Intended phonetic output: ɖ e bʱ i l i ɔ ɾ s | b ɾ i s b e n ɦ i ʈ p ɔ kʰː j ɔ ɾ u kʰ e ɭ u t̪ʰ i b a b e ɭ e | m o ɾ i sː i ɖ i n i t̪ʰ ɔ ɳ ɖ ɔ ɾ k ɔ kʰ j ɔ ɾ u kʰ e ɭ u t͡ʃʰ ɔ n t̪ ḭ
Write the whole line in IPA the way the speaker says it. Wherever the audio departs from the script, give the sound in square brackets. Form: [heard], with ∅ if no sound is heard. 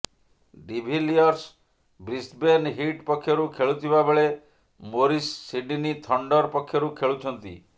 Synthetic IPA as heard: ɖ [i] bʱ i l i ɔ ɾ s | b ɾ i s b e n ɦ i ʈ p ɔ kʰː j ɔ ɾ u kʰ e ɭ u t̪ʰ i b a b e ɭ e | m o ɾ i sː i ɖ i n i t̪ʰ ɔ ɳ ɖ ɔ ɾ [p] ɔ kʰ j ɔ ɾ u kʰ e ɭ u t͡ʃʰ ɔ n t̪ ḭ